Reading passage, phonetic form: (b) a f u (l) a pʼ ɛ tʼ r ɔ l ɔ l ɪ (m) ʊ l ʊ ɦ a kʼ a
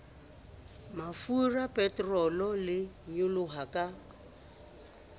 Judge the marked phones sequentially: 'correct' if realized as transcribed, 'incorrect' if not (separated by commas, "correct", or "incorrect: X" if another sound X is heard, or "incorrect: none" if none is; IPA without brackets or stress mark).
incorrect: m, incorrect: r, incorrect: ɲ